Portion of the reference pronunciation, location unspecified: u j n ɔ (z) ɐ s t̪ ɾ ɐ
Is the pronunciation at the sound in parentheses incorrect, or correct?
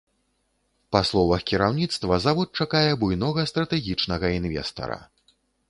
incorrect